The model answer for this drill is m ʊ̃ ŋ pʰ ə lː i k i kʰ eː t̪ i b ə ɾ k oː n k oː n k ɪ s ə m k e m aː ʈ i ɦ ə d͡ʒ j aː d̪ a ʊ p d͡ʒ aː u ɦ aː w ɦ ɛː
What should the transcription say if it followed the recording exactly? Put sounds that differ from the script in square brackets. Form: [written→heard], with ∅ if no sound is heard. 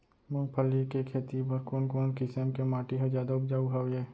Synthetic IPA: m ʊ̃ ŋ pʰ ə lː i k [i→e] kʰ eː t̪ i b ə ɾ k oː n k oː n k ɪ s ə m k e m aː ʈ i ɦ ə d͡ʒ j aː d̪ a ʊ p d͡ʒ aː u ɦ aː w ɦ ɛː